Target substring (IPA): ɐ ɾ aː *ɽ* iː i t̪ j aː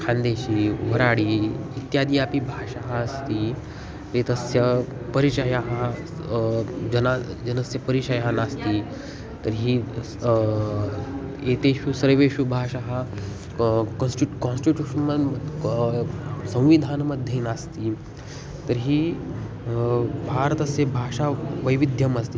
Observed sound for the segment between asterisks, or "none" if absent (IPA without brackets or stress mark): ɽ